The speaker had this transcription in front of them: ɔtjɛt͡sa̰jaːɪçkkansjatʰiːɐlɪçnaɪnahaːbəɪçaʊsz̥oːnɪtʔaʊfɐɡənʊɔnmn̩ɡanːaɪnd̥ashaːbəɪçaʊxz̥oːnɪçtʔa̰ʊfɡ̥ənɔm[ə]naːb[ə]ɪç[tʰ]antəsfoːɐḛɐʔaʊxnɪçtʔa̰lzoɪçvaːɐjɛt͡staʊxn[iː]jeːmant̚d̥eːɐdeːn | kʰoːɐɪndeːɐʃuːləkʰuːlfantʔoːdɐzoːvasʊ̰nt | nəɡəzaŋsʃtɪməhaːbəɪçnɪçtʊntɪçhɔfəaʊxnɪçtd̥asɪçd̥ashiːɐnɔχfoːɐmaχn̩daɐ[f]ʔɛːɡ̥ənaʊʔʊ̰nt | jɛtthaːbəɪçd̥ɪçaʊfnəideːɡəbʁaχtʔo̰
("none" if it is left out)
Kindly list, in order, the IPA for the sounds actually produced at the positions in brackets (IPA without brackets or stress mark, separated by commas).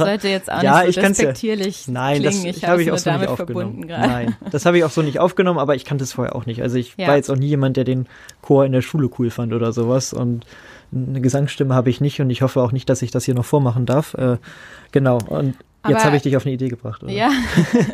ə, ɐ, kʰ, iː, f